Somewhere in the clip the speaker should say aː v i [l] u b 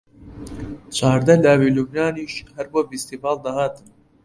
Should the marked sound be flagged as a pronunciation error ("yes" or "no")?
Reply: no